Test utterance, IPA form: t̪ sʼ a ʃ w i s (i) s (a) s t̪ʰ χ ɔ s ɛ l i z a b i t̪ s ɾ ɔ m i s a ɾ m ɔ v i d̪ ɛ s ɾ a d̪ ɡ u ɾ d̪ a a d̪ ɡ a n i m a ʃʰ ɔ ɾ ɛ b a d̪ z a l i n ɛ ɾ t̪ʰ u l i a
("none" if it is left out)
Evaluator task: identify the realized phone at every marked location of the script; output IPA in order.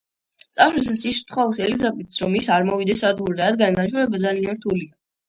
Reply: a, i

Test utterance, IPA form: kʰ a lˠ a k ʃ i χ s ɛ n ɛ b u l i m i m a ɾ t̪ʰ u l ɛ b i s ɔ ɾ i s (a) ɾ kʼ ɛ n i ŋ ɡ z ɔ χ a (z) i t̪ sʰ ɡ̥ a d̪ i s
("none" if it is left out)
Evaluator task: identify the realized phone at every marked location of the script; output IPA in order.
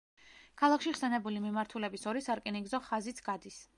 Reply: a, z

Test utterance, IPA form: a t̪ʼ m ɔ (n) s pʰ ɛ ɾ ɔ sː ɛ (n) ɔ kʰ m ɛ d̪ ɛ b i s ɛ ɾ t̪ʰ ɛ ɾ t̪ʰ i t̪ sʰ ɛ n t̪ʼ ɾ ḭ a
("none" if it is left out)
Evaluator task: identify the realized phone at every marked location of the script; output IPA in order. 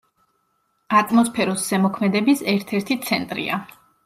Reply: none, m

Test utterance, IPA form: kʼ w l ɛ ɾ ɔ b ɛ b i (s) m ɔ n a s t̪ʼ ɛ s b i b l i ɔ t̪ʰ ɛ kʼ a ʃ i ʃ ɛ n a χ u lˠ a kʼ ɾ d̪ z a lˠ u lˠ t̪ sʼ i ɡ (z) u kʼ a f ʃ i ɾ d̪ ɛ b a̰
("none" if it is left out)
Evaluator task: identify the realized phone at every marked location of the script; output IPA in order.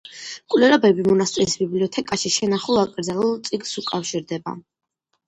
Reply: none, s

